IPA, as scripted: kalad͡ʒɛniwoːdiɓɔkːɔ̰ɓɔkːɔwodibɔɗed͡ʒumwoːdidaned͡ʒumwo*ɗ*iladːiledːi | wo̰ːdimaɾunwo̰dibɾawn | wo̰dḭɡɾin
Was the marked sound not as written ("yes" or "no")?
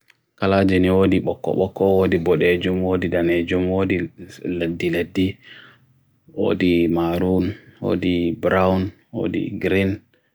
yes